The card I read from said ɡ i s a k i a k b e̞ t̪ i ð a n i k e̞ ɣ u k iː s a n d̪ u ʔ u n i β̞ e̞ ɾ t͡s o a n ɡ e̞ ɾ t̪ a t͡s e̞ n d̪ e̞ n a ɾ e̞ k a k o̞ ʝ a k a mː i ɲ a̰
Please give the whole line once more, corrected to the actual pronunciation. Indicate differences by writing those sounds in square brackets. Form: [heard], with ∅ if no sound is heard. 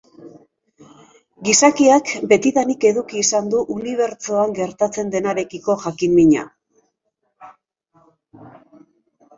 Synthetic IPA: ɡ i s a k i a k b e̞ t̪ i ð a n i k e̞ [ð] u k iː s a n d̪ u ʔ u n i β̞ e̞ ɾ t͡s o a [ŋ] ɡ e̞ ɾ t̪ a t͡s e̞ n d̪ e̞ n a ɾ e̞ k [i] k o̞ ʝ a k [i] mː i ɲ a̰